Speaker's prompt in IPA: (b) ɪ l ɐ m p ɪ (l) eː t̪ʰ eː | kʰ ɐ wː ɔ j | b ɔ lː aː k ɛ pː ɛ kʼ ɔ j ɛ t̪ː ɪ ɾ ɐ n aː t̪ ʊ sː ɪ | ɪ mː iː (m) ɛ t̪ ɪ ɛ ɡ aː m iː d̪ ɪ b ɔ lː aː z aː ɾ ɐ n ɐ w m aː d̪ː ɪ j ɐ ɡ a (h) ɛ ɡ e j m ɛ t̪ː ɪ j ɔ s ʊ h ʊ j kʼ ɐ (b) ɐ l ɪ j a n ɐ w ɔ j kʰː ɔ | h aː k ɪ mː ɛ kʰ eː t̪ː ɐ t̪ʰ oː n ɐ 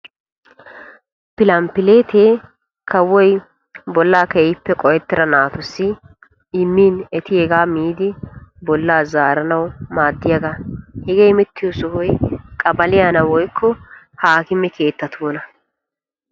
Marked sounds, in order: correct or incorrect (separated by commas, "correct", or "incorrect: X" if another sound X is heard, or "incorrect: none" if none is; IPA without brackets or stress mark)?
incorrect: p, correct, incorrect: n, correct, correct